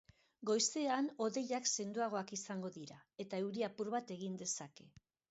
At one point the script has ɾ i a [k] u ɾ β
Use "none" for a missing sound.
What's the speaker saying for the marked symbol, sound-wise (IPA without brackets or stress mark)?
p